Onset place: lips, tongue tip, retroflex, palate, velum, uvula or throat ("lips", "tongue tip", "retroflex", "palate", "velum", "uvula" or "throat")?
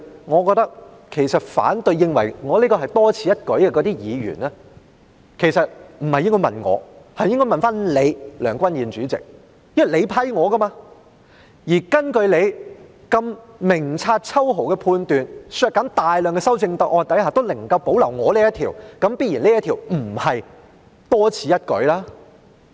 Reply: velum